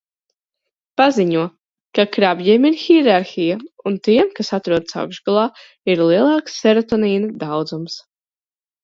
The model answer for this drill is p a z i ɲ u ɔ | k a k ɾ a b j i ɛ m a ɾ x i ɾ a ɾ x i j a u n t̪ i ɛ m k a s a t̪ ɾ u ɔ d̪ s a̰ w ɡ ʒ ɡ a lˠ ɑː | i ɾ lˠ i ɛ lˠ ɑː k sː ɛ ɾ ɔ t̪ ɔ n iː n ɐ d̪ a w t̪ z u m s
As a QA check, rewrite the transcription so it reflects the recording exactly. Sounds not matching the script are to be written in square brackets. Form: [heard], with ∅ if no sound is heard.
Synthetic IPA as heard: p a z i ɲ u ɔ | k a k ɾ a b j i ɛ m [i] ɾ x i ɾ a ɾ x i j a u n t̪ i ɛ m k a s a t̪ ɾ u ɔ d̪ s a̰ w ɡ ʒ ɡ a lˠ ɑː | i ɾ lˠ i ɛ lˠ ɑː k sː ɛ ɾ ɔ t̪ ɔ n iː n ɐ d̪ a w [d̪] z u m s